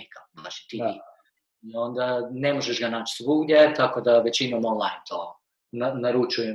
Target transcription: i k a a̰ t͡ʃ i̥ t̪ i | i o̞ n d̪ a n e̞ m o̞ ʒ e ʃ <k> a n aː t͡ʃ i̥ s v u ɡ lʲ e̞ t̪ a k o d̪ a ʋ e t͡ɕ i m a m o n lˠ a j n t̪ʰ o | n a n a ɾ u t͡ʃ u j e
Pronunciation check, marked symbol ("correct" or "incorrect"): incorrect